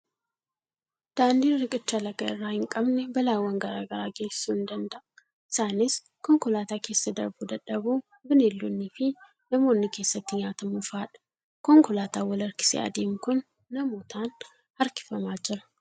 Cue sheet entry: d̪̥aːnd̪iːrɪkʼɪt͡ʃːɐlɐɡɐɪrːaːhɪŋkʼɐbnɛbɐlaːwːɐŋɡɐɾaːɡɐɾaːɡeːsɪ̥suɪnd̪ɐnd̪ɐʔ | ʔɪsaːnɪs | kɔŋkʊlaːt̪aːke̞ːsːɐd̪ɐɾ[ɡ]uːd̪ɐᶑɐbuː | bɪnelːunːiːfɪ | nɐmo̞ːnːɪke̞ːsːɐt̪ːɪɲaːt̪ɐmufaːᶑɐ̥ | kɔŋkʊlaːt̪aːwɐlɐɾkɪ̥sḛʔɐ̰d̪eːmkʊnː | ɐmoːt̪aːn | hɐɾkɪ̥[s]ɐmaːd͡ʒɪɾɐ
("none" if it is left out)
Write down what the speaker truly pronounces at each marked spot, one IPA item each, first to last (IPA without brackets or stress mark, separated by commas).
b, f